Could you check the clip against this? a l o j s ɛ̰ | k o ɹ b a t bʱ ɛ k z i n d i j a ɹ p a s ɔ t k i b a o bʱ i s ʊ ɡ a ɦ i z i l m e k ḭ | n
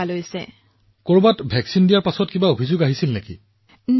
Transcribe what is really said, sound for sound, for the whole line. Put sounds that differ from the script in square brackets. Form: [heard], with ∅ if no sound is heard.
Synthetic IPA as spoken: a l o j s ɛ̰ | k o ɹ b a t bʱ ɛ k [s] i n d i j a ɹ p a s ɔ t k i b a o bʱ i [z] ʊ ɡ a ɦ i [s] i l [n] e k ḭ | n